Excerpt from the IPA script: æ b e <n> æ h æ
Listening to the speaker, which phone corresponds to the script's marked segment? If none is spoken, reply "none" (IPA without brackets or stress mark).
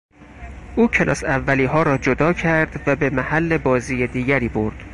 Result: m